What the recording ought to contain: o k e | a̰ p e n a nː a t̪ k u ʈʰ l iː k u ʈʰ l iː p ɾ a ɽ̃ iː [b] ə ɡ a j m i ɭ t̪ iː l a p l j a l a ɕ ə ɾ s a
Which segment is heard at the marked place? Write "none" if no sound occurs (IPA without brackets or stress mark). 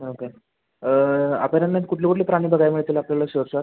b